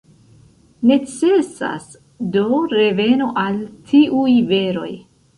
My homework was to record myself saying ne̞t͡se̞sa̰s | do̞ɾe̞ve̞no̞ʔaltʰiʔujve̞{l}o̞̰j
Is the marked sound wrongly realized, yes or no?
yes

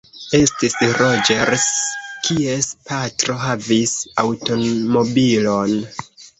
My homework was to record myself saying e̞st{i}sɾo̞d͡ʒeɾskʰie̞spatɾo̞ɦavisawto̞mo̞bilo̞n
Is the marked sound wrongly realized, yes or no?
no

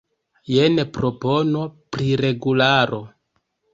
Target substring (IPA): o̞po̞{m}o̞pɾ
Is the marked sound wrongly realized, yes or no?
yes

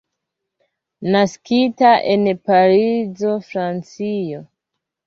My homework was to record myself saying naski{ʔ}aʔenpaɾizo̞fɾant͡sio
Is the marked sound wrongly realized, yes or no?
yes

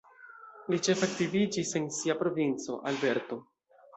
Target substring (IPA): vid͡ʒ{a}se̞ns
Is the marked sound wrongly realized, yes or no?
yes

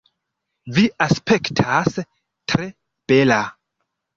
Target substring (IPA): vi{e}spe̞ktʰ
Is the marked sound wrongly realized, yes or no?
yes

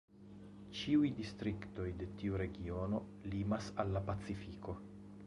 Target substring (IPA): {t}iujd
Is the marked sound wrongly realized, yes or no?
yes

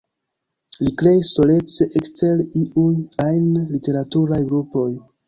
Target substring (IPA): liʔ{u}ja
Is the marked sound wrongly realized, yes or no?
no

